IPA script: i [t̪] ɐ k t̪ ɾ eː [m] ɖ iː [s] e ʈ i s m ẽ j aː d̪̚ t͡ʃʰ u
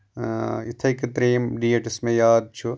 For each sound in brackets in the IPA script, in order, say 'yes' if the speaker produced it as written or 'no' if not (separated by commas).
no, yes, no